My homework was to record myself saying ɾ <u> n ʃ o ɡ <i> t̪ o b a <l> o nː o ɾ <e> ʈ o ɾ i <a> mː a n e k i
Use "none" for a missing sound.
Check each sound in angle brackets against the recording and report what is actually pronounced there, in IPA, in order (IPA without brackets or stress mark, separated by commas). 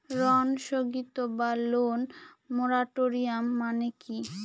ɔ, i, l, a, a